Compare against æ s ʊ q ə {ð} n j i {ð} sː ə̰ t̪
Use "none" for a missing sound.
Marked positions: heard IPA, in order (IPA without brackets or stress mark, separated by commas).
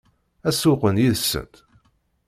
none, ð